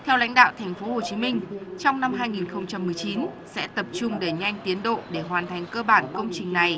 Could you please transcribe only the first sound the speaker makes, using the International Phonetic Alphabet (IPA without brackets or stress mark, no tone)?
t̪ʰ